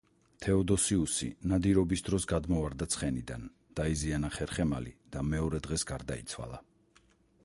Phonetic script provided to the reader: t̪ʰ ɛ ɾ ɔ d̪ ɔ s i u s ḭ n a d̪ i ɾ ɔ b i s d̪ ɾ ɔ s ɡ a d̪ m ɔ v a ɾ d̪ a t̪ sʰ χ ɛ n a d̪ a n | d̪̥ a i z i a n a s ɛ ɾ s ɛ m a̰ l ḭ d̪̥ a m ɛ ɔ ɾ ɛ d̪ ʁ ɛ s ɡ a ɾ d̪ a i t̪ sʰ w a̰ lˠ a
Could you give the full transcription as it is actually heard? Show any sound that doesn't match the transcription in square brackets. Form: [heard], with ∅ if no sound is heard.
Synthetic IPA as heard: t̪ʰ ɛ [∅] ɔ d̪ ɔ s i u s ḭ n a d̪ i ɾ ɔ b i s d̪ ɾ ɔ s ɡ a d̪ m ɔ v a ɾ d̪ a t̪ sʰ χ ɛ n [i] d̪ a n | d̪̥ a i z i a n a [χ] ɛ ɾ [χ] ɛ m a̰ l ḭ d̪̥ a m ɛ ɔ ɾ ɛ d̪ ʁ ɛ s ɡ a ɾ d̪ a i t̪ sʰ w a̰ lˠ a